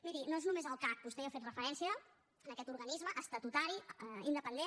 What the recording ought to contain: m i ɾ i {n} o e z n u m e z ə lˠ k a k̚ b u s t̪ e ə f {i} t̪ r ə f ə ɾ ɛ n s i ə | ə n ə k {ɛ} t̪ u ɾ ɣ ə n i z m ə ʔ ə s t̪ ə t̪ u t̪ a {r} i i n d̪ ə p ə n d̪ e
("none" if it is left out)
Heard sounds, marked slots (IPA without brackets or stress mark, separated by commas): n, e, ɛ, ɾ